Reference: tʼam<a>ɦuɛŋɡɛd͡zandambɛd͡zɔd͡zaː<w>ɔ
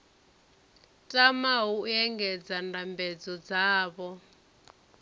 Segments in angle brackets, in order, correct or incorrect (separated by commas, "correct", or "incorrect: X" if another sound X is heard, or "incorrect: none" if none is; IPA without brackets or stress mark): correct, incorrect: β